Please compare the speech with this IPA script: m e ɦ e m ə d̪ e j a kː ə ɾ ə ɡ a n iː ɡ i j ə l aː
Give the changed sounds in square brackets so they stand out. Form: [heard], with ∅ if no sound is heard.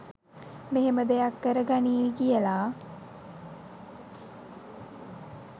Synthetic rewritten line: m e ɦ e m ə d̪ e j a kː ə ɾ ə ɡ a n iː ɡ i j ə l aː